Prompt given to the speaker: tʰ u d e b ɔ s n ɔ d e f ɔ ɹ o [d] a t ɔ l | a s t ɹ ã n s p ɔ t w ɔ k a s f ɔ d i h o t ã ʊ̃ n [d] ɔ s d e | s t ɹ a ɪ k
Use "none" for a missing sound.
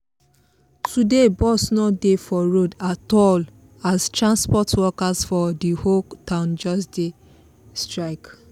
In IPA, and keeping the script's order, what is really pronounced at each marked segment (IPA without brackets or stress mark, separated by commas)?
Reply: d, d͡ʒ